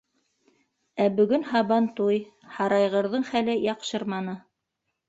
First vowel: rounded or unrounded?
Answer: unrounded